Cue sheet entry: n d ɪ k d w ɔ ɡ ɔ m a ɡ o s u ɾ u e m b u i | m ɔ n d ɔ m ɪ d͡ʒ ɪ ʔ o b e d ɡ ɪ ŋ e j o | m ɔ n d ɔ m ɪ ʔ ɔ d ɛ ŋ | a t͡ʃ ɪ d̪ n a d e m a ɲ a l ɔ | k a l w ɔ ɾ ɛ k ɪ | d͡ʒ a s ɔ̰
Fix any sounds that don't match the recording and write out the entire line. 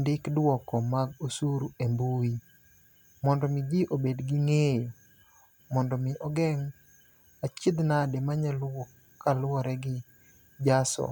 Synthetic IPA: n d ɪ k d w ɔ k ɔ m a ɡ o s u ɾ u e m b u i | m ɔ n d ɔ m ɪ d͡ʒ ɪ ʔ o b e d ɡ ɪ ŋ e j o | m ɔ n d ɔ m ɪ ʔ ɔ ɡ ɛ ŋ | a t͡ʃ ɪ d̪ n a d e m a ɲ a l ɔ | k a l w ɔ ɾ ɛ ɡ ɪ | d͡ʒ a s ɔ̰